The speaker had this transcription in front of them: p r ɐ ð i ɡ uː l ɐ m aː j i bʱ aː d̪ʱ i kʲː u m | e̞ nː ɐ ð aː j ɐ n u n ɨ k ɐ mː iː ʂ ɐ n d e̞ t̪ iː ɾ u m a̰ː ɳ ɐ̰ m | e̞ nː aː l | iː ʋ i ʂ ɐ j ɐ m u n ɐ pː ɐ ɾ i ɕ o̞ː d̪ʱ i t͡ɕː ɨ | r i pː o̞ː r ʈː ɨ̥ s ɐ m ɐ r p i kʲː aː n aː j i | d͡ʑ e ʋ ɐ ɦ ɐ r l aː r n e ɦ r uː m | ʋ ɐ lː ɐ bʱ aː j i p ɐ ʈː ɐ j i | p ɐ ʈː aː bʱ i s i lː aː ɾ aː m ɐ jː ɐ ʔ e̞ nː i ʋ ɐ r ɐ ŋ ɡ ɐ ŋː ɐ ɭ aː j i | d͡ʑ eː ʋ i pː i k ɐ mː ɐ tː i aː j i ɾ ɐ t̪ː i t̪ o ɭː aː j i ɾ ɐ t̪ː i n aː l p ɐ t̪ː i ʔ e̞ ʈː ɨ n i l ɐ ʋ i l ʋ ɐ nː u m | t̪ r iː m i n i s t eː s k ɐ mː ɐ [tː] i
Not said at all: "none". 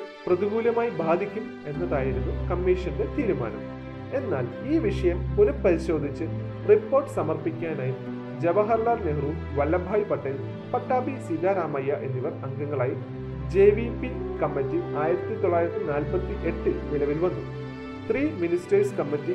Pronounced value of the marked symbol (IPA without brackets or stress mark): tː